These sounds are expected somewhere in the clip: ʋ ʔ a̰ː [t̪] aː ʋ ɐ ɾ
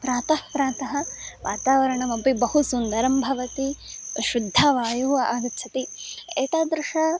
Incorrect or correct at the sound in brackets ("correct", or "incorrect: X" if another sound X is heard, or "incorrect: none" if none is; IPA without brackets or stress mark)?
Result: correct